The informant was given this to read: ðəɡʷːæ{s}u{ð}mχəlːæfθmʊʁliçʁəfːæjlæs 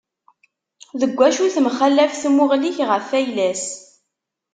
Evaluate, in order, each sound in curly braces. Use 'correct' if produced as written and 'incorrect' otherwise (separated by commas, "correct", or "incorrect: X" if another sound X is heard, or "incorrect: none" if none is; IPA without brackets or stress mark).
incorrect: ʃ, incorrect: θ